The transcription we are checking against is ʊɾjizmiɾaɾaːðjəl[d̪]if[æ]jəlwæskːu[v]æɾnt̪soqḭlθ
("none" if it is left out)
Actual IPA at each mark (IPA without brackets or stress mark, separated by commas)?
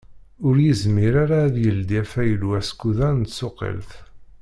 d̪, æ, ð